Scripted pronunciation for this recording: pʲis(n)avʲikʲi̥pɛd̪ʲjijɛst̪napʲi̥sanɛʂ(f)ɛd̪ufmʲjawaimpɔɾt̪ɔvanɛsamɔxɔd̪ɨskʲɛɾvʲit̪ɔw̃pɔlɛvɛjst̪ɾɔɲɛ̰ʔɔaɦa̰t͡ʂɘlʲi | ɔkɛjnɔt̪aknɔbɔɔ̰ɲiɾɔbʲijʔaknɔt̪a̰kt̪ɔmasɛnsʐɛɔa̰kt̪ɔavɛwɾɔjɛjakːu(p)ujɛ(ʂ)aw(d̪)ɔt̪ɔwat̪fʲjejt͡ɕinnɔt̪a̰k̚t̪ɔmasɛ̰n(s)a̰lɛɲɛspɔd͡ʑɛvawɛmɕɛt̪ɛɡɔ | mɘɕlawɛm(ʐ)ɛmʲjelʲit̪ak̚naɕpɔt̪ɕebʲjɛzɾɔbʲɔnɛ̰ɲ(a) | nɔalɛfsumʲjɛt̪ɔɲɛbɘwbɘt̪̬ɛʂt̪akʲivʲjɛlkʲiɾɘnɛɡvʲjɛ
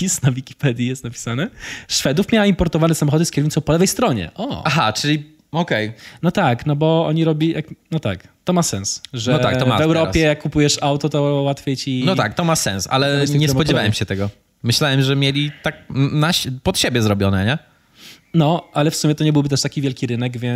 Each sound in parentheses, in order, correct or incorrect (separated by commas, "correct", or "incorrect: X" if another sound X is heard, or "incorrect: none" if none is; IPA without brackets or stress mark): correct, correct, correct, correct, incorrect: t̪, correct, correct, incorrect: ɛ